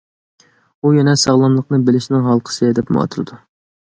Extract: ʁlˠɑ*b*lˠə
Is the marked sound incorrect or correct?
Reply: incorrect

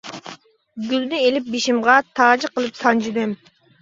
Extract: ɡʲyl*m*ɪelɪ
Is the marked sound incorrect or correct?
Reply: incorrect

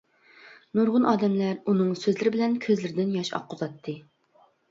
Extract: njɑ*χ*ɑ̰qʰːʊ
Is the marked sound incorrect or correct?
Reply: incorrect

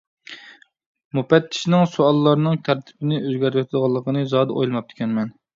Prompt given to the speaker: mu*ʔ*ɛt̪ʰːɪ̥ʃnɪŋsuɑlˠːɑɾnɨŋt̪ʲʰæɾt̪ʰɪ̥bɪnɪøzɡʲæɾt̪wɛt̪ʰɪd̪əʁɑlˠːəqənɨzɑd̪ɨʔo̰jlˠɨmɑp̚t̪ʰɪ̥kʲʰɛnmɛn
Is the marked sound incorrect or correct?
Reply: incorrect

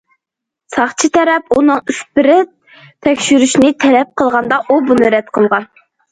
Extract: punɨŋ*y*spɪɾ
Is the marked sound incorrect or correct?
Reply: correct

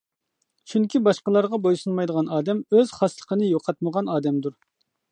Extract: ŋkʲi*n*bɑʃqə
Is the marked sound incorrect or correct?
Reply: incorrect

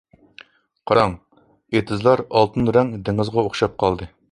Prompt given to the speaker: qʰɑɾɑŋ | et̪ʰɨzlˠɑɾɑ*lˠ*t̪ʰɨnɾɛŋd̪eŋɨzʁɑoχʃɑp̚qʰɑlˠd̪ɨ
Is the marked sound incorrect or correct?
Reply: correct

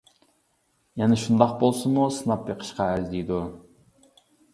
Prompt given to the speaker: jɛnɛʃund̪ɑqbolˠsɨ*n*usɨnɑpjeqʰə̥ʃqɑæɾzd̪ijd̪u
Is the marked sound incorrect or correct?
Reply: incorrect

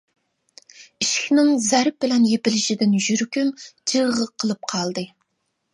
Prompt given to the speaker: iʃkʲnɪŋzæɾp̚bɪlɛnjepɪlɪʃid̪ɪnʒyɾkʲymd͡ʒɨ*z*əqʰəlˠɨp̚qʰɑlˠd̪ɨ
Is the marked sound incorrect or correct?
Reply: incorrect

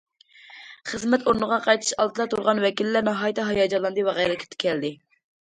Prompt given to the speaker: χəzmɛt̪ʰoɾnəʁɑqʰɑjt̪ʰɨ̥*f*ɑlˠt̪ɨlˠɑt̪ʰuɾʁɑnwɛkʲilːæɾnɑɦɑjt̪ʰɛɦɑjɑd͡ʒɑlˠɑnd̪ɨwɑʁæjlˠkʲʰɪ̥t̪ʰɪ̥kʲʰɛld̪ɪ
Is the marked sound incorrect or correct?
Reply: incorrect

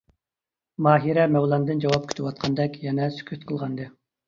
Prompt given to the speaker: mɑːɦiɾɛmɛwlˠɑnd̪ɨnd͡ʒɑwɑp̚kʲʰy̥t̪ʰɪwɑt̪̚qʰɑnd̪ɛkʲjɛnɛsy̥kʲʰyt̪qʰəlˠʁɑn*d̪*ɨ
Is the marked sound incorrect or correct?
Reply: correct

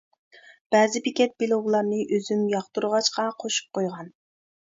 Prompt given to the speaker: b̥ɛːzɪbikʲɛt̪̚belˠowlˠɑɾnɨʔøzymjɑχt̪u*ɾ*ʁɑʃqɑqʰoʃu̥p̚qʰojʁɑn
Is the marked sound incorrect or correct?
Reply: correct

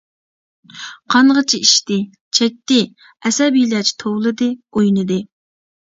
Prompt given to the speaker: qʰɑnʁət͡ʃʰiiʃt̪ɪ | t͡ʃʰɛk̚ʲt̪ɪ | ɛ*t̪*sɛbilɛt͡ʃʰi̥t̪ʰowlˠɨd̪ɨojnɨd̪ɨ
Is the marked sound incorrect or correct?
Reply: incorrect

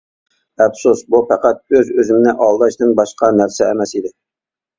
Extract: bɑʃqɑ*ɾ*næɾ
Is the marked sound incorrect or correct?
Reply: incorrect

